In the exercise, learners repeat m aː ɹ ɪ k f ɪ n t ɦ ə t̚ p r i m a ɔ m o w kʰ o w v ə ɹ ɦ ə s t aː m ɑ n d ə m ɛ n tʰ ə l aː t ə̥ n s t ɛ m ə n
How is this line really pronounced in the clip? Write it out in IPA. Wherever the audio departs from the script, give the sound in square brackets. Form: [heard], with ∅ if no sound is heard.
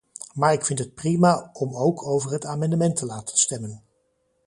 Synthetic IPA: m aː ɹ ɪ k f ɪ n t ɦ ə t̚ p r i m a ɔ m o w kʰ o w v ə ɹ ɦ ə [∅] t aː m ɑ n d ə m ɛ n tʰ ə l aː t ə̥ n s t ɛ m ə n